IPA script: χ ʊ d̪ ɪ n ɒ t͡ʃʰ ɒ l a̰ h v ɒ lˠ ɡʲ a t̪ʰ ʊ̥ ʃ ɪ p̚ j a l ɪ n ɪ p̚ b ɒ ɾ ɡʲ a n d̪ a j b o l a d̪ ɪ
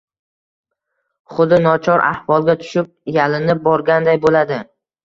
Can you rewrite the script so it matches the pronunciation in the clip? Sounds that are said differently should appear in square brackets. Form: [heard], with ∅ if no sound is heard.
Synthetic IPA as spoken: χ ʊ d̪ ɪ n ɒ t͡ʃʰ ɒ [ɾ] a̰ h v ɒ lˠ ɡʲ a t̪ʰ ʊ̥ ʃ ɪ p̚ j a l ɪ n ɪ p̚ b ɒ ɾ ɡʲ a n d̪ a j b o l a d̪ ɪ